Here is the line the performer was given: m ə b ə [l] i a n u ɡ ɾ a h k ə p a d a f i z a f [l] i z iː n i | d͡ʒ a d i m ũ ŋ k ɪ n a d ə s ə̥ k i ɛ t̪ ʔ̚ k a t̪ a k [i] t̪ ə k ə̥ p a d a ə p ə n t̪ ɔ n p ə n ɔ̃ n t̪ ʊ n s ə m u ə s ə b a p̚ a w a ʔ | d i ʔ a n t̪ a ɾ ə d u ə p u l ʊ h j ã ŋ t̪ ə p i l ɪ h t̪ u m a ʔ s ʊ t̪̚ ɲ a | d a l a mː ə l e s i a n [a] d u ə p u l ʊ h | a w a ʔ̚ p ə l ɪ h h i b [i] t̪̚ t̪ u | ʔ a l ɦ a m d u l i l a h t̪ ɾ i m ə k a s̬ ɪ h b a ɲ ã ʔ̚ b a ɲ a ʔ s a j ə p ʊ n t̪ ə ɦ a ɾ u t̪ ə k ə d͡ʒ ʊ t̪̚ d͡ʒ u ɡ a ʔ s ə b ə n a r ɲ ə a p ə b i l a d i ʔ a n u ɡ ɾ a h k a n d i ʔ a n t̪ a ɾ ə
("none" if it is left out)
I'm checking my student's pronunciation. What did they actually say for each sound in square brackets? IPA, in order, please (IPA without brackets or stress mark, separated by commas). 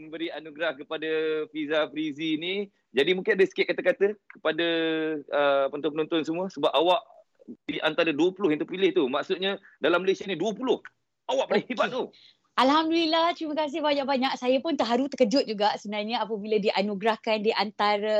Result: ɾ, ɾ, a, i, a